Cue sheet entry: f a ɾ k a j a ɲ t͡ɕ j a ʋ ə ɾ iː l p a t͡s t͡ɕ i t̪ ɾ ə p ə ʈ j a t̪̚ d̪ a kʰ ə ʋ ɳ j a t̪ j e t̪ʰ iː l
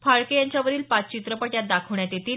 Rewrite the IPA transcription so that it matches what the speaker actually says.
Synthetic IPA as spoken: f a ɭ k e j a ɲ t͡ɕ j a ʋ ə ɾ iː l p a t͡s t͡ɕ i t̪ ɾ ə p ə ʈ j a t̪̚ d̪ a kʰ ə ʋ ɳ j a t̪ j e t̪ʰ iː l